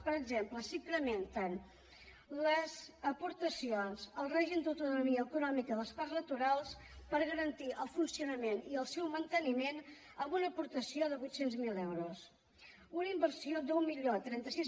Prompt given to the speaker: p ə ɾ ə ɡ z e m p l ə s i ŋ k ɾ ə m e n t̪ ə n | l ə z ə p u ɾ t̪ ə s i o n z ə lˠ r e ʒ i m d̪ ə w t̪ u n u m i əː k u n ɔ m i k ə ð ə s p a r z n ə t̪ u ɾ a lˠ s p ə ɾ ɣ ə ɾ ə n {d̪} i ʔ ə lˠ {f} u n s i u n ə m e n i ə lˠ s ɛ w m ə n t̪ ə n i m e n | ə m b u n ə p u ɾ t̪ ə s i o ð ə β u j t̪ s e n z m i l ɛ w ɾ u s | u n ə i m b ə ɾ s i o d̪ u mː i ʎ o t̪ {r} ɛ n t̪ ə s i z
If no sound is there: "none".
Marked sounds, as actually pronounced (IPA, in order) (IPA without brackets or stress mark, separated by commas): t̪, f, ɾ